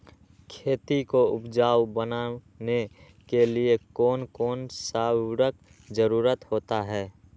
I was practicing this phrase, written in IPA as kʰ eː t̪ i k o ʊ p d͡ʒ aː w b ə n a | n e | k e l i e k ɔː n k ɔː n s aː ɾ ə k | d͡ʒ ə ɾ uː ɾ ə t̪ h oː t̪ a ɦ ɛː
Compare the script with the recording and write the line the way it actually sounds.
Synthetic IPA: kʰ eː t̪ i k o ʊ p d͡ʒ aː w b ə n a | n e | k e l i e k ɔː n k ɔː n s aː ɾ ə k | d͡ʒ ə ɾ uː ɾ ə t̪ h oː t̪ a ɦ ɛː